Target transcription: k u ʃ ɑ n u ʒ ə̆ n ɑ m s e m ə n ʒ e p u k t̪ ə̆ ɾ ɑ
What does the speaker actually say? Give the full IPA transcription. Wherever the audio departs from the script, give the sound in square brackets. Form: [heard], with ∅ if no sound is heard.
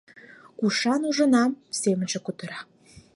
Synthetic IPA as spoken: k u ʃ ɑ n u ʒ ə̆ n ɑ m s e m ə n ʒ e [k] u [∅] t̪ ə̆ ɾ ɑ